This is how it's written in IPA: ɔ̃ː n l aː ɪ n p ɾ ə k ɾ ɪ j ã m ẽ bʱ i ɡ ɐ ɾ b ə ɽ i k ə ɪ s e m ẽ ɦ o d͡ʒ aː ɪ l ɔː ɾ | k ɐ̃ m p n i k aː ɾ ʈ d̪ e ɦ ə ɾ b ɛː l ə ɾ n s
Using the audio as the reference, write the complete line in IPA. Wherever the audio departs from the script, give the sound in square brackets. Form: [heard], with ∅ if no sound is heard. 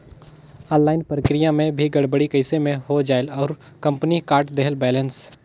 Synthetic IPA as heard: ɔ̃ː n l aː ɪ n p ɾ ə k ɾ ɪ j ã m ẽ bʱ i ɡ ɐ [ɽ] b ə ɽ i k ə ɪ s e m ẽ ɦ o d͡ʒ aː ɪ l ɔː ɾ | k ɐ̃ m p n i k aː ɾ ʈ d̪ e ɦ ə [l] b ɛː l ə [∅] n s